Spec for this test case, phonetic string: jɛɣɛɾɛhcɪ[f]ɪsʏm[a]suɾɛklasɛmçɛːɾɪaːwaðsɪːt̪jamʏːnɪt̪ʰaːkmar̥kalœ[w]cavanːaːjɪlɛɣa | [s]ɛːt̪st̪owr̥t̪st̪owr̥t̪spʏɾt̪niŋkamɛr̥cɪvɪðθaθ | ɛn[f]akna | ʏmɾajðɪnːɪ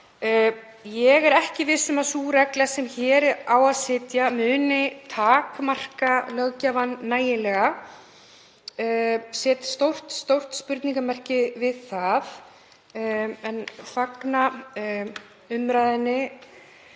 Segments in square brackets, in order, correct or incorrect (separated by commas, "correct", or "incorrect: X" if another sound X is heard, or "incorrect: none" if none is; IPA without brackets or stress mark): incorrect: v, correct, incorrect: ɣ, correct, correct